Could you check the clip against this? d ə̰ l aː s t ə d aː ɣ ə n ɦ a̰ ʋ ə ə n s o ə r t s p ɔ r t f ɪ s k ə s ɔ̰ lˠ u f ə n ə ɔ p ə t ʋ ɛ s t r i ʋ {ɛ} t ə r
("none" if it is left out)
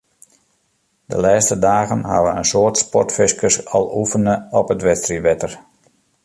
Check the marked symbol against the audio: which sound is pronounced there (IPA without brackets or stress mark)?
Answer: ɛ